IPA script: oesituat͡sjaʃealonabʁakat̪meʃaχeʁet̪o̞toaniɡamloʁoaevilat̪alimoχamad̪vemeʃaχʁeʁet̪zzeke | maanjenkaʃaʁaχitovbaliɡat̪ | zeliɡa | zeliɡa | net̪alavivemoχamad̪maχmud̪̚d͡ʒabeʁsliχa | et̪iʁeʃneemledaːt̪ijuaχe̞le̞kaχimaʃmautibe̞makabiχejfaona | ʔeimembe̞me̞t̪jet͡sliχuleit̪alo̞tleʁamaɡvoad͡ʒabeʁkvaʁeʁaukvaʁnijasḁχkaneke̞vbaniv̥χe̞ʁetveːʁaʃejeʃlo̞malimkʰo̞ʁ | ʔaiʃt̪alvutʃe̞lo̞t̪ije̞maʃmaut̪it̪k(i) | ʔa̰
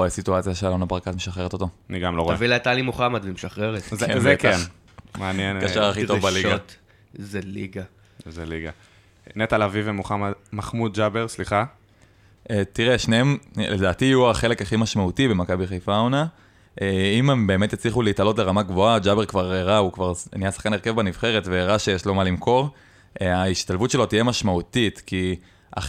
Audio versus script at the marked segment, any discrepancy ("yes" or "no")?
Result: no